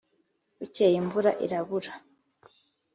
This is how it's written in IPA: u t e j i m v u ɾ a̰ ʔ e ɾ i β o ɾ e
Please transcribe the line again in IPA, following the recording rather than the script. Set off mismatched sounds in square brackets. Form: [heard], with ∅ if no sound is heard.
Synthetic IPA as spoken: u [c] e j i m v u ɾ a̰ ʔ [i] ɾ [a] β [u] ɾ [a]